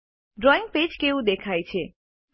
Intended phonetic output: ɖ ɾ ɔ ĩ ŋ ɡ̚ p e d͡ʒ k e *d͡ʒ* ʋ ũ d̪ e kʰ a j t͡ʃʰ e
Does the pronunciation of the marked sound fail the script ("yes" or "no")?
yes